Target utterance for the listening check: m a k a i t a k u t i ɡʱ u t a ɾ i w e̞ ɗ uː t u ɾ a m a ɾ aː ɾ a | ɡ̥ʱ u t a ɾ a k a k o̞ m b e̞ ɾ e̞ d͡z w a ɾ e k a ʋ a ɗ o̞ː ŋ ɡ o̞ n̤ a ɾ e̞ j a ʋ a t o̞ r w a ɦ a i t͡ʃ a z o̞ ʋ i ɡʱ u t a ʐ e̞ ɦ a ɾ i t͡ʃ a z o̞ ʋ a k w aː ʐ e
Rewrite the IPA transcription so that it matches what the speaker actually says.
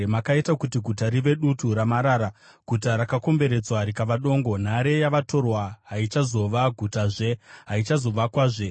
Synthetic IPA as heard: m a k a i t a k u t i ɡʱ u t a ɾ i ʋ e̞ ɗ u t u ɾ a m a ɾ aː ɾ a | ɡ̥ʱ u t a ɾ a k a k o̞ m b e̞ ɾ e̞ d͡z w a ɾ i k a ʋ a ɗ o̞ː ŋ ɡ o̞ n̤ a ɾ e̞ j a ʋ a t o̞ r w a ɦ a i t͡ʃ a z o̞ ʋ a ɡʱ u t a ʐ e̞ ɦ a i t͡ʃ a z o̞ ʋ a k w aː ʐ e